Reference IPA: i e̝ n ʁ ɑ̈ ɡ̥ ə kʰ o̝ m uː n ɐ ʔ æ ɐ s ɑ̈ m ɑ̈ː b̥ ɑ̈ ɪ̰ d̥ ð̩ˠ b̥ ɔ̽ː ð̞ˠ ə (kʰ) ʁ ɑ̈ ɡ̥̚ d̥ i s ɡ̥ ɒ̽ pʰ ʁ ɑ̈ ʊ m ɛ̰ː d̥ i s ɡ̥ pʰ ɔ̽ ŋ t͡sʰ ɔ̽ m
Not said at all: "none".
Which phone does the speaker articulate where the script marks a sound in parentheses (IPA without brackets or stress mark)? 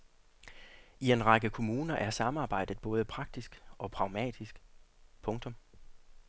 pʰ